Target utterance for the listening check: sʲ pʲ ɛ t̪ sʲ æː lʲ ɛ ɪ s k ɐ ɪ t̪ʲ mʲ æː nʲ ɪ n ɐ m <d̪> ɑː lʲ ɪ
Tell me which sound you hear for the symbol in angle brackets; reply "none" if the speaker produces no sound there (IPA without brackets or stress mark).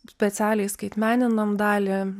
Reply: d̪